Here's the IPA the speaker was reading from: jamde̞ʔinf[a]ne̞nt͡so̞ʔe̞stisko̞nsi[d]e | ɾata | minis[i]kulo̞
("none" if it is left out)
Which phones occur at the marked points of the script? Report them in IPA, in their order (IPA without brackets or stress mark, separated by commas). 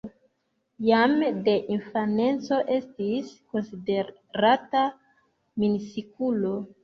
a, d, i